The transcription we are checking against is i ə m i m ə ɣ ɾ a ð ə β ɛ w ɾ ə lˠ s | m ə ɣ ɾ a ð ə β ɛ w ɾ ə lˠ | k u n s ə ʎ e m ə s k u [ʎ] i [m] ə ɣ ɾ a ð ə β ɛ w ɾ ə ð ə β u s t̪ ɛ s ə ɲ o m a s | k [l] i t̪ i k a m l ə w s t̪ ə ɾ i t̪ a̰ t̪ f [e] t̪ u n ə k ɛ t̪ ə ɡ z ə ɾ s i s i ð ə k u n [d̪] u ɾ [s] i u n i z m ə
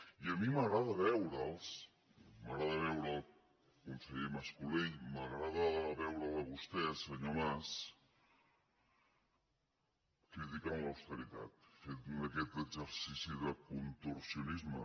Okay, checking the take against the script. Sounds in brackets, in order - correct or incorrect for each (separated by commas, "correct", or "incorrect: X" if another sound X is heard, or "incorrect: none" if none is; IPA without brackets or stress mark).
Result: incorrect: l, correct, incorrect: ɾ, correct, incorrect: t̪, correct